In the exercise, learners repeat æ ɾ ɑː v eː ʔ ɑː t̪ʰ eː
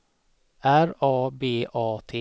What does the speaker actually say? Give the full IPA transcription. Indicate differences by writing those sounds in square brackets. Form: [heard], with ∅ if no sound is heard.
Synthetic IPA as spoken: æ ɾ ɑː [b] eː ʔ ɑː t̪ʰ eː